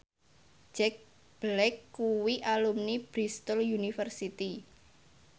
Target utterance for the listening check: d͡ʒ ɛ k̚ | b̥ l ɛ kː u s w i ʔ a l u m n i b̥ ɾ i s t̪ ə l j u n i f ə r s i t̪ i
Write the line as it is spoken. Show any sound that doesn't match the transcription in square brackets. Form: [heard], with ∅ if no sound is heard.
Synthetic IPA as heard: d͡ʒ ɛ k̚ | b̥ l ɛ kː u [∅] w i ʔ a l u m n i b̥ ɾ i s t̪ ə l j u n i f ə r s i t̪ i